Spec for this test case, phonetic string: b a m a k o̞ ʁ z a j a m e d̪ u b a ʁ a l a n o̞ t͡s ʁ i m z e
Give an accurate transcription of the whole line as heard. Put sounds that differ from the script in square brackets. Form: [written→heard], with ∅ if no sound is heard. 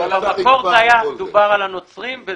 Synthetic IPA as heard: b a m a k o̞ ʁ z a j a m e d̪ u b a ʁ a l a n o̞ t͡s ʁ i m [z→v] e